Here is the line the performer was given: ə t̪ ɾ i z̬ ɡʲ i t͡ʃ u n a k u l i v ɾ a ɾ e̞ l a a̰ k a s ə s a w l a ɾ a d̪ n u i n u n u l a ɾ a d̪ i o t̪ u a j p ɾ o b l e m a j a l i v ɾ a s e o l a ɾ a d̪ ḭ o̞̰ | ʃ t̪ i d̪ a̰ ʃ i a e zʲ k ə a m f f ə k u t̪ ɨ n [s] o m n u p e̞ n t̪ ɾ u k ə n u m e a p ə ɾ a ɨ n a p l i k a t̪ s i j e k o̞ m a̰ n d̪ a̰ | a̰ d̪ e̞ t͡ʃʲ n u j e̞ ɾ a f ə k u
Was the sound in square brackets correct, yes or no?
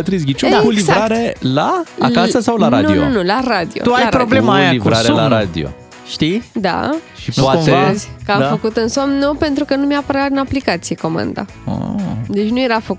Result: yes